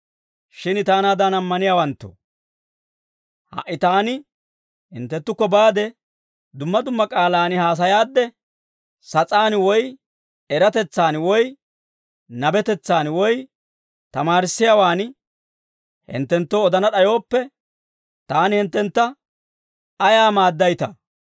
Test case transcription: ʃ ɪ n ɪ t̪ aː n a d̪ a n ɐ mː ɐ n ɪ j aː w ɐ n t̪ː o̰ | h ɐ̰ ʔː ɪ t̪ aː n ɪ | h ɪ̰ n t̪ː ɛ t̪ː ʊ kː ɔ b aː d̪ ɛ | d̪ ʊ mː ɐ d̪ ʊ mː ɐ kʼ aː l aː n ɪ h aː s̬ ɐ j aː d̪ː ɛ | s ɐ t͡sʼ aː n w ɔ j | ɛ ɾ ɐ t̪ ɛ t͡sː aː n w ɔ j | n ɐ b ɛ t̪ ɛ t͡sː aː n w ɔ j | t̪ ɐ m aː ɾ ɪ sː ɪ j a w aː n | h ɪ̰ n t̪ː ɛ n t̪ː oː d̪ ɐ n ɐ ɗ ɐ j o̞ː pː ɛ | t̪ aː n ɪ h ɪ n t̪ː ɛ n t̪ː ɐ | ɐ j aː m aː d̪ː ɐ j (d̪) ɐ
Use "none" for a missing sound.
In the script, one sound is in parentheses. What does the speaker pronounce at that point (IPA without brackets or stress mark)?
t̪